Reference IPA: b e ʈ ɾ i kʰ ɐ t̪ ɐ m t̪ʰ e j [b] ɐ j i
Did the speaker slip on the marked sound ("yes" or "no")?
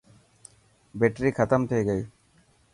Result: yes